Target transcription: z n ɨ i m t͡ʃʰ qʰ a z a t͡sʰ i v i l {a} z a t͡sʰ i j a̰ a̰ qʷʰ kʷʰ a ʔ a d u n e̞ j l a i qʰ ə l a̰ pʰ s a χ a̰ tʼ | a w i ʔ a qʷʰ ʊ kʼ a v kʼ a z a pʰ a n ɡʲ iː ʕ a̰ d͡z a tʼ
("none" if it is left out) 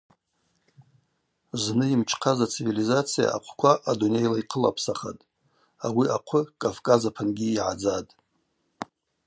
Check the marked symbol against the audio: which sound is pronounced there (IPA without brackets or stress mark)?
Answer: i